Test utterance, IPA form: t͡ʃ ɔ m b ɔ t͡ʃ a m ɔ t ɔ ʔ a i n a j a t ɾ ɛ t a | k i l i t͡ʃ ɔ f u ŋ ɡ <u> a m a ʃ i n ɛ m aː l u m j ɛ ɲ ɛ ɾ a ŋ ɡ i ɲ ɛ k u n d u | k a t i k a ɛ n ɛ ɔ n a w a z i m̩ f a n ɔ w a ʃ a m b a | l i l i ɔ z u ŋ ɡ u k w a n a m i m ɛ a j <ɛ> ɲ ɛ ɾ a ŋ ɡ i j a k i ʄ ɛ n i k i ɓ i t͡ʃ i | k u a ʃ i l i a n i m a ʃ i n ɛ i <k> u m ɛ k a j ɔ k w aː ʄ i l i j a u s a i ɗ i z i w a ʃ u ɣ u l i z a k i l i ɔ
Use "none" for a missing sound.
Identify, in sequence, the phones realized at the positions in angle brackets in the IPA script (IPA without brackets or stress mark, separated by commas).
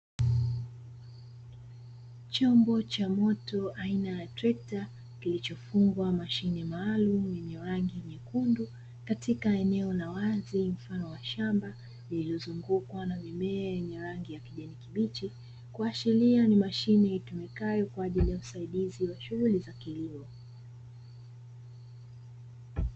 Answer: w, ɛ, t